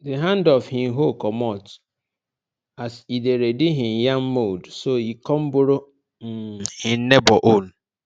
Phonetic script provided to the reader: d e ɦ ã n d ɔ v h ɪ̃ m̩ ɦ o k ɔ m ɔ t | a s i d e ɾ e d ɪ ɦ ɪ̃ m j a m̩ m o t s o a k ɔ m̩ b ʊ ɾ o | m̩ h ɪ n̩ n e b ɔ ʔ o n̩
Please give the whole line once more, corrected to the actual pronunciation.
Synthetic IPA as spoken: d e ɦ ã n d ɔ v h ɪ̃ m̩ ɦ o k ɔ m ɔ t | a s i d e ɾ e d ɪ ɦ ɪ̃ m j a m̩ m o d s o i k ɔ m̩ b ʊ ɾ o | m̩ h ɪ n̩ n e b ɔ ʔ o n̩